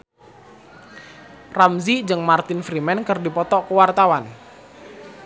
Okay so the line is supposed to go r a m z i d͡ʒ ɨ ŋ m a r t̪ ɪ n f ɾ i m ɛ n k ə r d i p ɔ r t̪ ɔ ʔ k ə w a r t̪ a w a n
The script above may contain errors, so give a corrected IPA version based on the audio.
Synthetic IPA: r a m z i d͡ʒ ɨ ŋ m a r t̪ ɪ n f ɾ i m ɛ n k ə r d i p ɔ t̪ ɔ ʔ k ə w a r t̪ a w a n